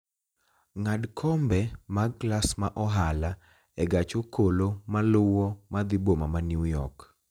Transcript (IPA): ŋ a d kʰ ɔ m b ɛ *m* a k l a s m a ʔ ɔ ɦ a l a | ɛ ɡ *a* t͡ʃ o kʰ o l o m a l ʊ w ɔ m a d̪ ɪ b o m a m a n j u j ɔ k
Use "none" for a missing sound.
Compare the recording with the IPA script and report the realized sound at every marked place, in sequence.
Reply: m, a

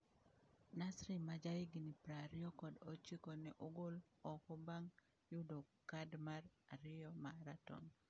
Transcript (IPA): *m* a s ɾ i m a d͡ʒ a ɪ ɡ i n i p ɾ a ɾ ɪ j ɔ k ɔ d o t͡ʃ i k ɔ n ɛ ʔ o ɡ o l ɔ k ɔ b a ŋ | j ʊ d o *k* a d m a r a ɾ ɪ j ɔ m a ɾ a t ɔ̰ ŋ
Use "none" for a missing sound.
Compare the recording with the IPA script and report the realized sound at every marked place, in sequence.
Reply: n, k

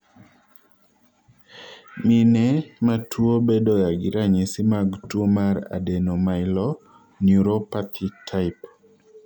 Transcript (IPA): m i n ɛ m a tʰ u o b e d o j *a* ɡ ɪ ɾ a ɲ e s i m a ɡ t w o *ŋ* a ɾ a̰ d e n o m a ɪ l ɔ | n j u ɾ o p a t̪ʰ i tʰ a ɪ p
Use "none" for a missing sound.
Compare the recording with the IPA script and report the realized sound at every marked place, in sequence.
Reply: a, m

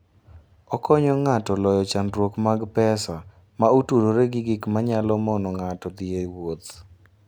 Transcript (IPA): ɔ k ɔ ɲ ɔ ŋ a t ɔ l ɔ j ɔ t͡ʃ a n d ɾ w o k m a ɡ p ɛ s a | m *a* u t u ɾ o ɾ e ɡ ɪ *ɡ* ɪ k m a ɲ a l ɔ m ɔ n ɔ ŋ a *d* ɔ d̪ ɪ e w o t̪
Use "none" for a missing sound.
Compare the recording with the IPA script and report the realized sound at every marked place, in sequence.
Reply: a, ɡ, t

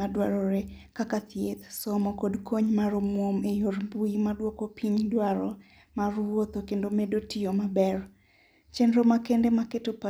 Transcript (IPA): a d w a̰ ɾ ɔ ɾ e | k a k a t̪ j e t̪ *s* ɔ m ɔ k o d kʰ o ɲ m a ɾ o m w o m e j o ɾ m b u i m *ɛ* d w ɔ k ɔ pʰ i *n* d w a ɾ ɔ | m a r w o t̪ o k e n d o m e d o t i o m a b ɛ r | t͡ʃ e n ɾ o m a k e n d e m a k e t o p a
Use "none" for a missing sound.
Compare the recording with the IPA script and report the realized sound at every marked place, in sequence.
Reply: s, a, ɲ

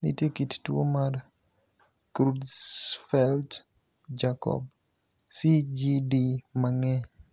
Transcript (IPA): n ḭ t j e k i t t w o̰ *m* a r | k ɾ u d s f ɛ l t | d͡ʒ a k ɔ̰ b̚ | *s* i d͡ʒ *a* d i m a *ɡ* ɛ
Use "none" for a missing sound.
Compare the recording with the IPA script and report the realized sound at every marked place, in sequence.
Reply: m, s, i, ŋ

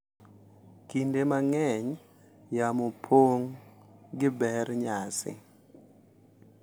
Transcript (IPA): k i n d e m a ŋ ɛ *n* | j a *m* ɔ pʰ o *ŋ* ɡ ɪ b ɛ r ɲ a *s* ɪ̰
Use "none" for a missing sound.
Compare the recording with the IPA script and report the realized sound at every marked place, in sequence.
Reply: ɲ, m, ŋ, s

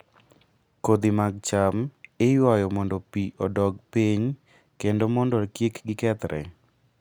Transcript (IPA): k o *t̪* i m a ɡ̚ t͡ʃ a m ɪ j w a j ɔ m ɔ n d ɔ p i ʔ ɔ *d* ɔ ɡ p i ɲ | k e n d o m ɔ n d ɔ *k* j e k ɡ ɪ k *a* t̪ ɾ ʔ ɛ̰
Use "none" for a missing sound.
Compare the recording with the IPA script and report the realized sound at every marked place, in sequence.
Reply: d̪, d, k, ɛ

